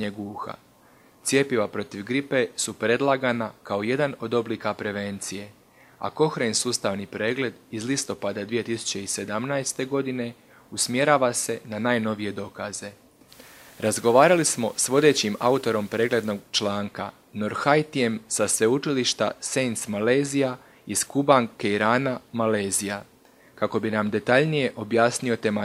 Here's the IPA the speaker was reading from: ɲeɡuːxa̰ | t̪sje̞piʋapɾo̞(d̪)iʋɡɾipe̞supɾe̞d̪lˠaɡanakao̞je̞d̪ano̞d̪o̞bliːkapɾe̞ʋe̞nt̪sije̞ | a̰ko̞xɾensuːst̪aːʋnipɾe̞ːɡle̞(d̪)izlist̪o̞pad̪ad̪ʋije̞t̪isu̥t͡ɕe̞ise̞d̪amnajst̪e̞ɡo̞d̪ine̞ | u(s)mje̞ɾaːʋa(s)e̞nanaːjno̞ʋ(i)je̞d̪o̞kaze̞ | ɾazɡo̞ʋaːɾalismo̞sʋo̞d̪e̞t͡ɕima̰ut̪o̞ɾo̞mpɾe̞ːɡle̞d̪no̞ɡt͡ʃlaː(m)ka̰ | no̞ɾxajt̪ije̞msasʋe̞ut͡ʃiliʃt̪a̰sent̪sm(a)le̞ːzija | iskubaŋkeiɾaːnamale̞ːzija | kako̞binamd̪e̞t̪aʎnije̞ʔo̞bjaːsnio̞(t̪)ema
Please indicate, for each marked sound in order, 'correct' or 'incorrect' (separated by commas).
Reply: incorrect, correct, correct, correct, correct, incorrect, correct, correct